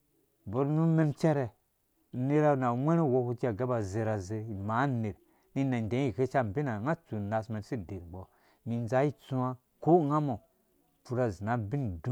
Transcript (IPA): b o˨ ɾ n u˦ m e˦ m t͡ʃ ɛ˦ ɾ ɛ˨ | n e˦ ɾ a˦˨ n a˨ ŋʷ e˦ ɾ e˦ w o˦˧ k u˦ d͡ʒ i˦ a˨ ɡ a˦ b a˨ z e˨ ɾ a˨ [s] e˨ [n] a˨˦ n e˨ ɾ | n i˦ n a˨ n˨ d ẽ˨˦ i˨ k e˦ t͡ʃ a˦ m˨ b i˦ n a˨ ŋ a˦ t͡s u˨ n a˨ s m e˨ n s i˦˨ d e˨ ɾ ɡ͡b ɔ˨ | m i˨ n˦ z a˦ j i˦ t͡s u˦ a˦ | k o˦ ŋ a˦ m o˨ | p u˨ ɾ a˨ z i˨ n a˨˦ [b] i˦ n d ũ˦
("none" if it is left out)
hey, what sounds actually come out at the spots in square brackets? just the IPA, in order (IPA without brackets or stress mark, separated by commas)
z, m, b